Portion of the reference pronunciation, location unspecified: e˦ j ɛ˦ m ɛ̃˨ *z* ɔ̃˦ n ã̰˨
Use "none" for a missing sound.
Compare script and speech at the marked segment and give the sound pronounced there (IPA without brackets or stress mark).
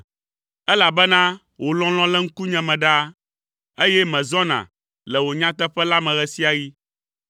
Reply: z